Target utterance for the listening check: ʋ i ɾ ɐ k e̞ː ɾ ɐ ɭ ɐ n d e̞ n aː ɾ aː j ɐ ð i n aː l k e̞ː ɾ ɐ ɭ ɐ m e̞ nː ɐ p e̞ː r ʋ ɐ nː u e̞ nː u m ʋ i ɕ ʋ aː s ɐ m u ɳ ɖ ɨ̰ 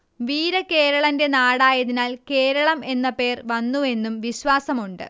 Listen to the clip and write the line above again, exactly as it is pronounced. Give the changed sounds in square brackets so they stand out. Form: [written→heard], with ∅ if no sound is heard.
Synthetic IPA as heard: ʋ [i→iː] ɾ ɐ k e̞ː ɾ ɐ ɭ ɐ n d e̞ n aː [ɾ→ɽ] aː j ɐ ð i n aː l k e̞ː ɾ ɐ ɭ ɐ m e̞ nː ɐ p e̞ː r ʋ ɐ nː u e̞ nː u m ʋ i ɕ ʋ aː s ɐ m u ɳ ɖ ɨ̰